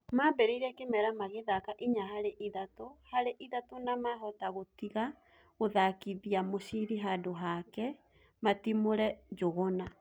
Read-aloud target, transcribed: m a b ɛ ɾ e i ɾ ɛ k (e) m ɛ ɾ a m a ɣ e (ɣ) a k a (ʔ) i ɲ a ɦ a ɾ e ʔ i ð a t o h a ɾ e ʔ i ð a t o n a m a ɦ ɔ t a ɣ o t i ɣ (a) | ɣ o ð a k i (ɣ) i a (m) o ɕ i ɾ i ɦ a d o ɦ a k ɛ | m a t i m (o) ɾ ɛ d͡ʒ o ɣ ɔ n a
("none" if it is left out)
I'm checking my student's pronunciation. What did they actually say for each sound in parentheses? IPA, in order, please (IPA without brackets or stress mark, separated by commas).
e, ð, ʔ, a, ð, m, o